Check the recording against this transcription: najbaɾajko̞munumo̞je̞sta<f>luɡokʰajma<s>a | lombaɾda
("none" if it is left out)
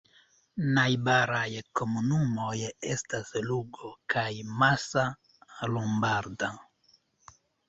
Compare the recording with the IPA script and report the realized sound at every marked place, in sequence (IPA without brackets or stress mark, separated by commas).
s, s